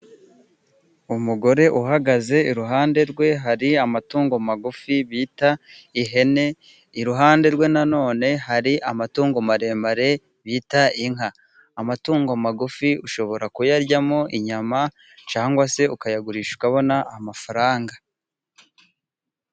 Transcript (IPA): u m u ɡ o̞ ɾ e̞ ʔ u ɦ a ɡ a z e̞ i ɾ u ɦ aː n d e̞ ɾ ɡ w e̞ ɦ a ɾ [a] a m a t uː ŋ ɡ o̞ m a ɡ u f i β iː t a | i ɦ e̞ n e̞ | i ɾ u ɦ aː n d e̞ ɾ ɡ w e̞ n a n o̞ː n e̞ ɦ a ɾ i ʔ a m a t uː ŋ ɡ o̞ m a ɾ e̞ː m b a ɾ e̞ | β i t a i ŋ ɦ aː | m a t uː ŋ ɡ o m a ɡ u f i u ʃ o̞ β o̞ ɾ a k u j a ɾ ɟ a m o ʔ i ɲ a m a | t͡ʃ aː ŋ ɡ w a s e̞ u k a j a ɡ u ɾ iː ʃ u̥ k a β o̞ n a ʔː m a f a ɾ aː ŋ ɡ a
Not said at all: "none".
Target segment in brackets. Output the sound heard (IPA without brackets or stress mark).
i